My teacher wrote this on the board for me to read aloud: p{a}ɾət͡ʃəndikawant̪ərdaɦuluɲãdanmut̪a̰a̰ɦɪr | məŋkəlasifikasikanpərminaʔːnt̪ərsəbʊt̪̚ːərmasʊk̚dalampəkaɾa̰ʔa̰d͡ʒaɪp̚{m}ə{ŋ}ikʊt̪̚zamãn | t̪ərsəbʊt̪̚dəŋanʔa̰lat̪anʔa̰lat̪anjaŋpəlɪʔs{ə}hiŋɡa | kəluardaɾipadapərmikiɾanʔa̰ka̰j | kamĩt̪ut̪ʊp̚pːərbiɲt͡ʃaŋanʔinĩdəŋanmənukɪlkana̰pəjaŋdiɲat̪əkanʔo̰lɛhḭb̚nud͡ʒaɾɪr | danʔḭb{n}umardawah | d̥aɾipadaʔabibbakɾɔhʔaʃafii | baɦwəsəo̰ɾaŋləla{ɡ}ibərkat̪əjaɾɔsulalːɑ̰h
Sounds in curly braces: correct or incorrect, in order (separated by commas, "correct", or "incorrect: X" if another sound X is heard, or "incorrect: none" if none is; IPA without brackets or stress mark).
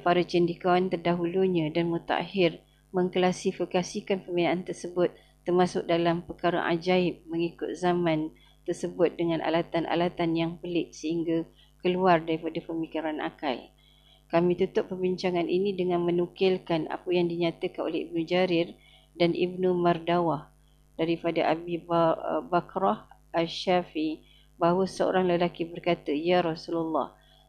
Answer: correct, correct, correct, correct, correct, incorrect: k